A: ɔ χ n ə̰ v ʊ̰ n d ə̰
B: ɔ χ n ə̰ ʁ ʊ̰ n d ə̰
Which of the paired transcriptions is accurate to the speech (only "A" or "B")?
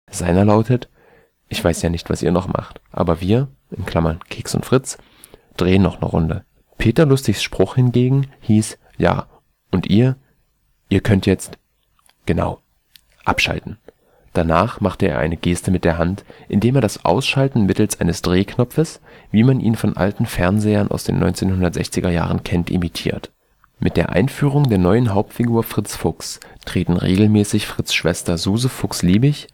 B